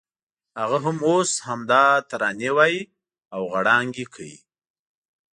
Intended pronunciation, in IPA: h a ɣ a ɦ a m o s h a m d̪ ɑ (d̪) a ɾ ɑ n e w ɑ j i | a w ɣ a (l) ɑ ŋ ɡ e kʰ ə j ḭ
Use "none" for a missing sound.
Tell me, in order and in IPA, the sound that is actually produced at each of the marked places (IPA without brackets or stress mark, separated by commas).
t̪, ɽ